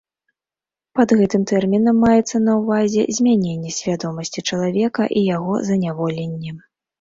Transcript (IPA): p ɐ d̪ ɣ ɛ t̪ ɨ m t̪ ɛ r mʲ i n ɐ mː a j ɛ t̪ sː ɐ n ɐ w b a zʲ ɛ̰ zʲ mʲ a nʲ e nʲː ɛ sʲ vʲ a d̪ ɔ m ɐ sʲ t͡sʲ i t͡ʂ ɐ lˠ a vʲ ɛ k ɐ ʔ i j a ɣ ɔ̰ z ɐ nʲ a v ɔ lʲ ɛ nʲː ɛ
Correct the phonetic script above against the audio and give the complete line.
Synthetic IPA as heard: p ɐ d̪ ɣ ɛ t̪ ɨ m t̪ ɛ r mʲ i n ɐ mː a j ɛ t̪ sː ɐ n ɐ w v a zʲ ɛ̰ zʲ mʲ a nʲ e nʲː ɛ sʲ vʲ a d̪ ɔ m ɐ sʲ t͡sʲ i t͡ʂ ɐ lˠ a vʲ ɛ k ɐ ʔ i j a ɣ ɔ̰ z ɐ nʲ a v ɔ lʲ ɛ nʲː ɛ

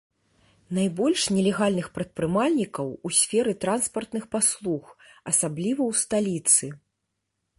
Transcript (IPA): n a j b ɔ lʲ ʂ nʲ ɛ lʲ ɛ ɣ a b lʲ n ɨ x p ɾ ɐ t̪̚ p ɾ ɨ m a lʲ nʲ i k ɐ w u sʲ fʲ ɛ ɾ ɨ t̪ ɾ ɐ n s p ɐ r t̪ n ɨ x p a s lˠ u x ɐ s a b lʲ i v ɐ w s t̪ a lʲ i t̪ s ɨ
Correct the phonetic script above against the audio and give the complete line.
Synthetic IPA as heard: n a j b ɔ lʲ ʂ nʲ ɛ lʲ ɛ ɣ a lʲ n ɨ x p ɾ ɐ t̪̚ p ɾ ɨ m a lʲ nʲ i k ɐ w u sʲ fʲ ɛ ɾ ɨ t̪ ɾ a n s p ɐ r t̪ n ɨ x p a s lˠ u x ɐ s a b lʲ i v ɐ w s t̪ a lʲ i t̪ s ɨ

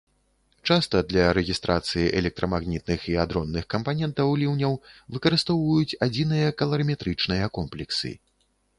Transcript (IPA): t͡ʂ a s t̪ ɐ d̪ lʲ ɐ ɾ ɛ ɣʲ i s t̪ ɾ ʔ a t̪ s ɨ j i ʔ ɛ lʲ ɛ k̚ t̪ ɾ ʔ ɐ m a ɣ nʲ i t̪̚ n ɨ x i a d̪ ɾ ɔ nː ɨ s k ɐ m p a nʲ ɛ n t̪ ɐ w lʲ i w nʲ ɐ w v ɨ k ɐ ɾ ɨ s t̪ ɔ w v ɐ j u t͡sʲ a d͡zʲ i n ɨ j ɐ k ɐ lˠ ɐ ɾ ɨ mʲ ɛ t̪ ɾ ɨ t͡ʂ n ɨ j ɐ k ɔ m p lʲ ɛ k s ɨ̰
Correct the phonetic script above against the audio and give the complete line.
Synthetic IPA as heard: t͡ʂ a s t̪ ɐ d̪ lʲ ɐ ɾ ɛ ɣʲ i s t̪ ɾ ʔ a t̪ s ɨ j i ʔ ɛ lʲ ɛ k̚ t̪ ɾ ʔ ɐ m a ɣ nʲ i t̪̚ n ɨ x i a d̪ ɾ ɔ nː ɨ x k ɐ m p a nʲ ɛ n t̪ ɐ w lʲ i w nʲ ɐ w v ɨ k ɐ ɾ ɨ s t̪ ɔ w v ɐ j u t͡sʲ a d͡zʲ i n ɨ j ɐ k ɐ lˠ ɐ ɾ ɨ mʲ ɛ t̪ ɾ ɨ t͡ʂ n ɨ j ɐ k ɔ m p lʲ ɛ k s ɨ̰

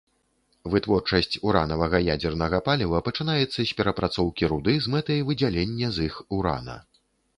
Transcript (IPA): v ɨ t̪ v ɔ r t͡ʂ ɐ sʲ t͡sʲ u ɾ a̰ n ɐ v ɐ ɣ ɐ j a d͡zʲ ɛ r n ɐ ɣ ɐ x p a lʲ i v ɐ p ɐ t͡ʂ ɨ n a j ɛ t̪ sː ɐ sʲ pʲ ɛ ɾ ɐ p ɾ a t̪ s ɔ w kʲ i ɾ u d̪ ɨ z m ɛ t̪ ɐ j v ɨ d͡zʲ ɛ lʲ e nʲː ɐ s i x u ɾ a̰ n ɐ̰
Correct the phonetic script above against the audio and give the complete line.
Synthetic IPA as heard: v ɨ t̪ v ɔ r t͡ʂ ɐ sʲ t͡sʲ u ɾ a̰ n ɐ v ɐ ɣ ɐ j a d͡zʲ ɛ r n ɐ ɣ ɐ p a lʲ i v ɐ p ɐ t͡ʂ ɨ n a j ɛ t̪ sː ɐ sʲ pʲ ɛ ɾ ɐ p ɾ a t̪ s ɔ w kʲ i ɾ u d̪ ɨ z m ɛ t̪ ɐ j v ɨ d͡zʲ a lʲ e nʲː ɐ z i x u ɾ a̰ n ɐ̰

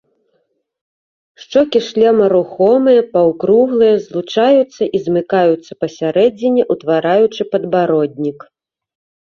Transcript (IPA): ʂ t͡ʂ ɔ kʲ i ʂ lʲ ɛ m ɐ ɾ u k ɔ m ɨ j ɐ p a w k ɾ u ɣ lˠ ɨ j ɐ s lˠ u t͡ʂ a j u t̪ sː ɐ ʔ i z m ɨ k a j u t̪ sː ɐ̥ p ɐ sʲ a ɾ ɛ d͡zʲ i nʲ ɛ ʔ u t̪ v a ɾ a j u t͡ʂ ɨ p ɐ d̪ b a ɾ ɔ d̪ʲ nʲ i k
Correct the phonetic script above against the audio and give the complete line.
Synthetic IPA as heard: ʂ t͡ʂ ɔ kʲ i ʂ lʲ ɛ m ɐ ɾ u x ɔ m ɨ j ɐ p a w k ɾ u ɣ lˠ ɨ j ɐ z lˠ u t͡ʂ a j u t̪ sː ɐ ʔ i z m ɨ k a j u t̪ sː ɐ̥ p ɐ sʲ a ɾ ɛ d͡zʲ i nʲ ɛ ʔ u t̪ v a ɾ a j u t͡ʂ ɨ p ɐ d̪ b a ɾ ɔ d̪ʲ nʲ i k

